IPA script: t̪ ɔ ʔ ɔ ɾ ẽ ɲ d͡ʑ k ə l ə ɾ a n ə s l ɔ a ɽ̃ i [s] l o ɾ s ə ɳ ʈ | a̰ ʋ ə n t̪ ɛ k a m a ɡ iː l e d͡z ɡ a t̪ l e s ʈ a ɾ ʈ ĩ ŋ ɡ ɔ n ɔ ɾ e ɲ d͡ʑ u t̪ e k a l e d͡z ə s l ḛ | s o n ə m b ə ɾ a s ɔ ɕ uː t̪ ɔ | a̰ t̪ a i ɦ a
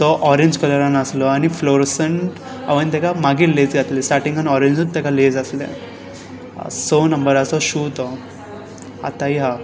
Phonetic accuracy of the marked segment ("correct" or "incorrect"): incorrect